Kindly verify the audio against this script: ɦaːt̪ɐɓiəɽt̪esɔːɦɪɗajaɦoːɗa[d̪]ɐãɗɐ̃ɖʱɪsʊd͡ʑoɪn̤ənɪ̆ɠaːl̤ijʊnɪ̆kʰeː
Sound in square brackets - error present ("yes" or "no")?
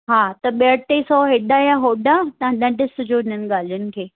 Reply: yes